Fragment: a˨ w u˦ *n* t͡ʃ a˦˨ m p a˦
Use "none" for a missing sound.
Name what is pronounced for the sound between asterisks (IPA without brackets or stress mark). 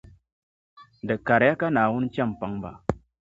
n